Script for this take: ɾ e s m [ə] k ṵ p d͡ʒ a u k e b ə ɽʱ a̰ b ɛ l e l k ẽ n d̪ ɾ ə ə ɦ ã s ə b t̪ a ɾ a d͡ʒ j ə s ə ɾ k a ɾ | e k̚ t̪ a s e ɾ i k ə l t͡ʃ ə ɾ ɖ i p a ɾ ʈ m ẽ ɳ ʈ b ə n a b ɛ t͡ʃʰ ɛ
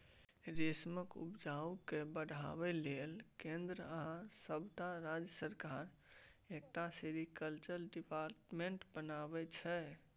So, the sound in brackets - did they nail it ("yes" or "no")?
yes